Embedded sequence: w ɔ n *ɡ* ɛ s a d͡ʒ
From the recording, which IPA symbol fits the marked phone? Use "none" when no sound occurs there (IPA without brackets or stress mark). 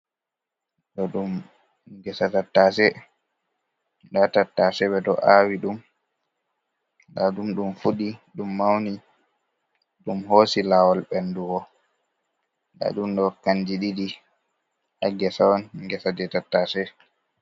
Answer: ɡ